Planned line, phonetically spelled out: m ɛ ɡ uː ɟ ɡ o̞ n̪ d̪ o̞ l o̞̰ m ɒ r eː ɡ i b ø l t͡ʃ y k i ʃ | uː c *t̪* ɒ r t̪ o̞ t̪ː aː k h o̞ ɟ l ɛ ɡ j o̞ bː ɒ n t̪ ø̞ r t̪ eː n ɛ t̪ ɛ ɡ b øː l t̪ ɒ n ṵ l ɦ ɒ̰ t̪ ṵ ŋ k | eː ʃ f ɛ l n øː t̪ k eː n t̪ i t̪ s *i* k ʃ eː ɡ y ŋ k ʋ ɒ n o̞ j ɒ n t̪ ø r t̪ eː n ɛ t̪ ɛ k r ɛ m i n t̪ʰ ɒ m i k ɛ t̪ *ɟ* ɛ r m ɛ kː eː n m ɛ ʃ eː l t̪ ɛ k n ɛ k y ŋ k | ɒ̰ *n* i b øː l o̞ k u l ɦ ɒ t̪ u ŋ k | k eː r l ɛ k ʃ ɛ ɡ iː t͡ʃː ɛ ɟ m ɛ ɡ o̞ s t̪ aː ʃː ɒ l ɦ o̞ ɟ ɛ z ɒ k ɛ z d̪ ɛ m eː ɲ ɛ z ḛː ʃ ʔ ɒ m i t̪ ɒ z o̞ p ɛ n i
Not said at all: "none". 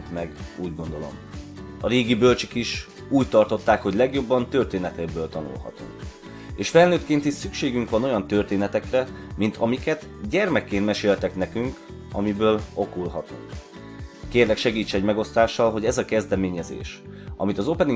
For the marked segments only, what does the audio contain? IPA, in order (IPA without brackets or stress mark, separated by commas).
t̪, y, ɟ, m